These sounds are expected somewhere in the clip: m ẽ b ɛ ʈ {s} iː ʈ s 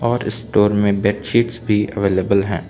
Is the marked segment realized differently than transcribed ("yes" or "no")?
yes